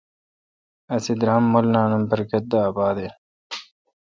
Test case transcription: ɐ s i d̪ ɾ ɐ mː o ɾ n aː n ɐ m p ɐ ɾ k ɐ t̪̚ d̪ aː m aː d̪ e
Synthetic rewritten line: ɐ s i d̪ ɾ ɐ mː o l n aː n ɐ m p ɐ ɾ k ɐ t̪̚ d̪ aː b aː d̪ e